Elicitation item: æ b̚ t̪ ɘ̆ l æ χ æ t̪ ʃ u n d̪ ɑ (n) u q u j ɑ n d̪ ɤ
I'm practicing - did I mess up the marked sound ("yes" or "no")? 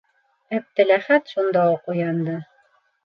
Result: yes